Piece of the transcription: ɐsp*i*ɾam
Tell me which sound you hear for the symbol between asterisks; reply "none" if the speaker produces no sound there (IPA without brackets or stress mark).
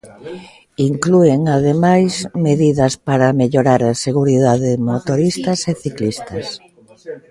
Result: a